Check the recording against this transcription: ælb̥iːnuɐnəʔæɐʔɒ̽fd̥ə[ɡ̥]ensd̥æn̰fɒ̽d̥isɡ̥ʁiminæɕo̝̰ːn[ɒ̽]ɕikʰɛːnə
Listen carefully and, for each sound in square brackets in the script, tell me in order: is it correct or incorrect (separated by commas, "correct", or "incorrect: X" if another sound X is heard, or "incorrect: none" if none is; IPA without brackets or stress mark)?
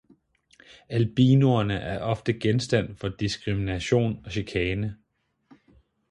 correct, correct